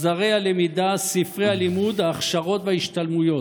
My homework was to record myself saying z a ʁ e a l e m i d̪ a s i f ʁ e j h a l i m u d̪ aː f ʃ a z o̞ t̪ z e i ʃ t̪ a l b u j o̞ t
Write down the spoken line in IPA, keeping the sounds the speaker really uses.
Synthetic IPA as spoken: z a ʁ e a l e m i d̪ a s i f ʁ e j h a l i m u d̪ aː χ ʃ a ʁ o̞ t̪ v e i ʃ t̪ a l m u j o̞ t